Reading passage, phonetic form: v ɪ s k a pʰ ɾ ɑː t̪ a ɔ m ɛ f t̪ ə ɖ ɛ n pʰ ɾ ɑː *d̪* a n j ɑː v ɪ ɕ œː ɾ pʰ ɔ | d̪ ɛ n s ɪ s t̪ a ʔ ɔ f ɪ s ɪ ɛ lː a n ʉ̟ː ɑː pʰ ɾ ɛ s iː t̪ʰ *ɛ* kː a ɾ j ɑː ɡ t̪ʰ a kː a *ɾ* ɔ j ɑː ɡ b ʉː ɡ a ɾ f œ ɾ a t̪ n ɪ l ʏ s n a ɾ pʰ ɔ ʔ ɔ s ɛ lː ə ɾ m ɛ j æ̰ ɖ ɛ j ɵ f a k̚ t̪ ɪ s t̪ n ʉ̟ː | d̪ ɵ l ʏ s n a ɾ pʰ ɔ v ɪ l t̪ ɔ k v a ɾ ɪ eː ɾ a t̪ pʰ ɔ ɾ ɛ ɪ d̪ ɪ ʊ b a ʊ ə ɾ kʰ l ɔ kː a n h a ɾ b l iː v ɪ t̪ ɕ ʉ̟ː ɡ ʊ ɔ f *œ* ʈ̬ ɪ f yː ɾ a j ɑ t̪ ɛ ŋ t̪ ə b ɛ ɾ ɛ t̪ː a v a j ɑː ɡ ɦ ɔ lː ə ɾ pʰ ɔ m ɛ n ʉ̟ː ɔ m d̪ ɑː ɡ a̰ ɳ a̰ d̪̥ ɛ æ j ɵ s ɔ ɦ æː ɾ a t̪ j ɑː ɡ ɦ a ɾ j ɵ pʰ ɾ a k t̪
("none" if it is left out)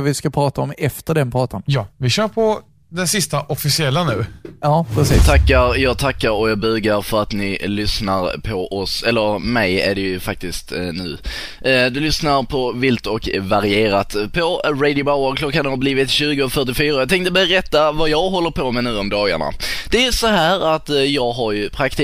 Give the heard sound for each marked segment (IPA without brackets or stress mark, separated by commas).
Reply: t̪, a, ɾ, œ